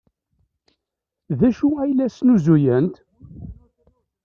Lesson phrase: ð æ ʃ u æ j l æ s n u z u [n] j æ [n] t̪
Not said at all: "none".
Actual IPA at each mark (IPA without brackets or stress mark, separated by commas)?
none, n